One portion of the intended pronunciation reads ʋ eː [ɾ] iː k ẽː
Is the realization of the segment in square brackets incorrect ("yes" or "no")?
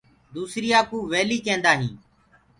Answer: yes